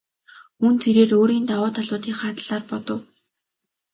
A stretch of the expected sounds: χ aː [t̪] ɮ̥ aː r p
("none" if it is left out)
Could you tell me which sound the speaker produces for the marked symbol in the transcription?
t̪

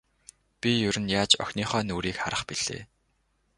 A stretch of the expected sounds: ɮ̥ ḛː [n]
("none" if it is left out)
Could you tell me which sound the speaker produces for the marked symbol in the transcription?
none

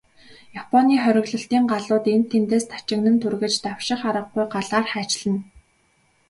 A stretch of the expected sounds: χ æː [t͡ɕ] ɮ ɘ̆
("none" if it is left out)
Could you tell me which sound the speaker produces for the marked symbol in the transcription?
t͡ɕ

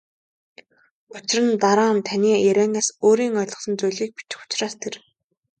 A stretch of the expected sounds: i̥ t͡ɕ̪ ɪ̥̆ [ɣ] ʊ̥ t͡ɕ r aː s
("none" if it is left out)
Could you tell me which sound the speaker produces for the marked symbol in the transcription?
x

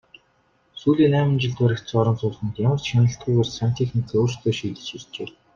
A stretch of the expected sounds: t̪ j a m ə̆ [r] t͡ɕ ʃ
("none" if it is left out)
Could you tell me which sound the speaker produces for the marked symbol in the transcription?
r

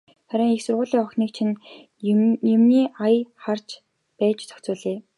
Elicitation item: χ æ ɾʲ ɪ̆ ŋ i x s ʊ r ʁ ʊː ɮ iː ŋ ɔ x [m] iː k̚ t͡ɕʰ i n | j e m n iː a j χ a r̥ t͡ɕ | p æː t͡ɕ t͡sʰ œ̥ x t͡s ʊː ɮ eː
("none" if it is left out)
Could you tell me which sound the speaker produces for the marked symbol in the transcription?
n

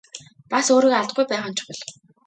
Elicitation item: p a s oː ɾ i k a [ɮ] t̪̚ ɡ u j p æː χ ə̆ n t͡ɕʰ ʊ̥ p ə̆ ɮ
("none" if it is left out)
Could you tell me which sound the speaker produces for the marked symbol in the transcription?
ɮ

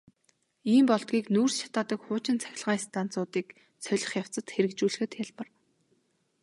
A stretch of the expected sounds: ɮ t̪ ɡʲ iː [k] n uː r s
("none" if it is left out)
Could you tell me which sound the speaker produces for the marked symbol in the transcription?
k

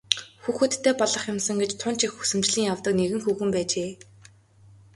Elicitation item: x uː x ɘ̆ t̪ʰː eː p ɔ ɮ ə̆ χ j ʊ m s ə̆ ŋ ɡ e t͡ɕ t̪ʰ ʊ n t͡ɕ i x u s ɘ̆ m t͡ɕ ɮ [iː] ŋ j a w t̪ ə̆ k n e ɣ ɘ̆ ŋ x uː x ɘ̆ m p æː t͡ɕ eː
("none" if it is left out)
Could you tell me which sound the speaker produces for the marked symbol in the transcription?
iː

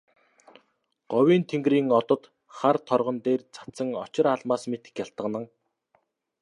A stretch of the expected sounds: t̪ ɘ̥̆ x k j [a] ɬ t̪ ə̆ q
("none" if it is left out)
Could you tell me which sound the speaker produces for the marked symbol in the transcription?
a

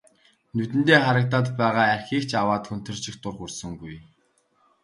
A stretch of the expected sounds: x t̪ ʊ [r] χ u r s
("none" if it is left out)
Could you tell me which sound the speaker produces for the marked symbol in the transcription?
r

